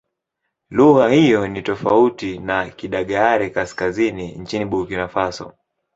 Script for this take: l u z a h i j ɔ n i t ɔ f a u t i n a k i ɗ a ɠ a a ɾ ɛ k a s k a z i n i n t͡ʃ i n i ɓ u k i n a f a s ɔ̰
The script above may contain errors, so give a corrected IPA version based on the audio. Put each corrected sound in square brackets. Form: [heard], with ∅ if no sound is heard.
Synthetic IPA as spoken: l u [ɣ] a h i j ɔ n i t ɔ f a u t i n a k i ɗ a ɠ a a ɾ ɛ k a s k a z i n i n t͡ʃ i n i ɓ u k i n a f a s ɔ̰